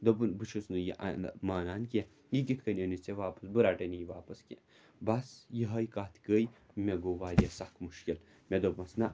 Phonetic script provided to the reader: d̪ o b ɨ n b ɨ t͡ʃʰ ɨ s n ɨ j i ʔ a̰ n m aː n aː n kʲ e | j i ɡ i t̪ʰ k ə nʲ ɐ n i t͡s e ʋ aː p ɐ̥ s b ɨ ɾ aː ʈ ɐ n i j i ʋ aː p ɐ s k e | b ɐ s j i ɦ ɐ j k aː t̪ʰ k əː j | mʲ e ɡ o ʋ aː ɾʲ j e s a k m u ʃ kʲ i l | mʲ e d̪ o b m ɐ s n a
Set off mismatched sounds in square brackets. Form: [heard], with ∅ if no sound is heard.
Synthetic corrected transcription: d̪ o b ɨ n b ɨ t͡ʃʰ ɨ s n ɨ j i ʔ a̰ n m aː n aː n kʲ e | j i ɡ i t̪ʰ k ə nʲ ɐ n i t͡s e ʋ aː p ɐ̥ s b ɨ ɾ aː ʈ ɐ n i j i ʋ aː p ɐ s k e | b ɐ s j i ɦ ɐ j k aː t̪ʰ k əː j | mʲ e ɡ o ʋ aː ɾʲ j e s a k m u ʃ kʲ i l | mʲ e d̪ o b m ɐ s n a